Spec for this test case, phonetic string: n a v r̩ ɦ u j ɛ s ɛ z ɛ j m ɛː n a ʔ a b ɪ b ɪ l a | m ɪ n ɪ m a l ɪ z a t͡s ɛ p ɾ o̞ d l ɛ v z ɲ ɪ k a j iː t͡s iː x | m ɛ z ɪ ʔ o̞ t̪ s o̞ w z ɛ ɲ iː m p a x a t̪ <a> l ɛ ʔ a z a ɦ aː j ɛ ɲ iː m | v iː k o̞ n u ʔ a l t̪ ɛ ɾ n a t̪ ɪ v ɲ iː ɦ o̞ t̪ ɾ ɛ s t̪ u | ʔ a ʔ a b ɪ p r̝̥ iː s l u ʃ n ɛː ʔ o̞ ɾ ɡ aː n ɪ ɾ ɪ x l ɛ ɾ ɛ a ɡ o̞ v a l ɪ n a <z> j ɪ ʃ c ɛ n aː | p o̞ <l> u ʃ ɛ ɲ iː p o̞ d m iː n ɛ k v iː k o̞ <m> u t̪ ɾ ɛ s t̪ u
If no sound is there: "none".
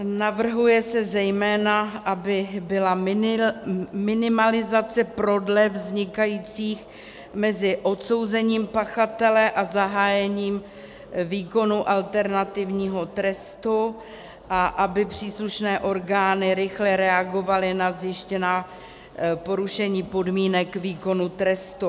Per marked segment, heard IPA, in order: ɛ, z, ɾ, n

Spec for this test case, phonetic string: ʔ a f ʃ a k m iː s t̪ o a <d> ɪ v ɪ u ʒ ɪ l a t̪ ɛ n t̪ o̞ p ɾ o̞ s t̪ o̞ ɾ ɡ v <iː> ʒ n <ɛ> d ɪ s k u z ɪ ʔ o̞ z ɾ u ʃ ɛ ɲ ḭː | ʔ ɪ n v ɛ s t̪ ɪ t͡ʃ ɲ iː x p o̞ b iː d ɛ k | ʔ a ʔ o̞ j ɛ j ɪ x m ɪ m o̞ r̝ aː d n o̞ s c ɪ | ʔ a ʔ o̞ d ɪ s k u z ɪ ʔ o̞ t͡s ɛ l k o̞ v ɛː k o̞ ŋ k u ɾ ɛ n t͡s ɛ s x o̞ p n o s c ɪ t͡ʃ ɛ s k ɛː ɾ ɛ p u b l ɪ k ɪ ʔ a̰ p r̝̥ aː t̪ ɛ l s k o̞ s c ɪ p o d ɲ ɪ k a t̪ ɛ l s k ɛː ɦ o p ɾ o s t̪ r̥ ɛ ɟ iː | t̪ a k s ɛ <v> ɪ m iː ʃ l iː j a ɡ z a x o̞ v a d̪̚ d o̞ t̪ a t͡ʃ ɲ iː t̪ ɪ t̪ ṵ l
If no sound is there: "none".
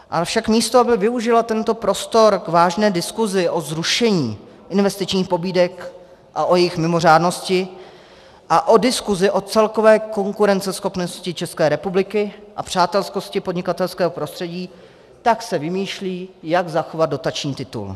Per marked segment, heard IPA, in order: b, aː, ɛː, v

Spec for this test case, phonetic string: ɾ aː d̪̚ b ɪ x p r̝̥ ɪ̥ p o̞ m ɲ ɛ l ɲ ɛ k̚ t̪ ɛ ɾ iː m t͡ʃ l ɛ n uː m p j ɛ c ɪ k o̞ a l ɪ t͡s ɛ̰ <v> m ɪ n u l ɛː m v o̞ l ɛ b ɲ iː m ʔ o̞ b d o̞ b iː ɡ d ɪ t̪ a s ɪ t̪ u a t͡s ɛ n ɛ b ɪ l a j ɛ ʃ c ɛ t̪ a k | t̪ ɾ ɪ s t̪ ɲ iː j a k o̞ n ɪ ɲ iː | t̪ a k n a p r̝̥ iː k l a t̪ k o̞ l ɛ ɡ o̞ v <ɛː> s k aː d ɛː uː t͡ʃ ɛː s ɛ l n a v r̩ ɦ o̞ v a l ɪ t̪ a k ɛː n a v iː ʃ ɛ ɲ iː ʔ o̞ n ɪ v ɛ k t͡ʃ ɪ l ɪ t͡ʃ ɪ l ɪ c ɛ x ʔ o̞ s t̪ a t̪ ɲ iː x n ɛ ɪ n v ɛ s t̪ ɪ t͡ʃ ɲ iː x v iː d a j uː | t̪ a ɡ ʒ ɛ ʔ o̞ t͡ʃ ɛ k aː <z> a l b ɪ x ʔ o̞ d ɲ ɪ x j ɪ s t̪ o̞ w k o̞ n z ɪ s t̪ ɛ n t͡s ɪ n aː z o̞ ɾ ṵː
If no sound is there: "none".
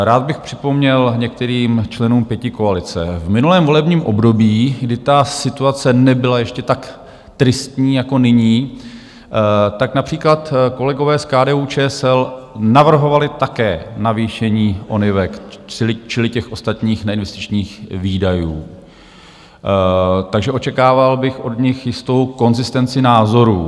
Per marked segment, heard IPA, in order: v, ɛː, v

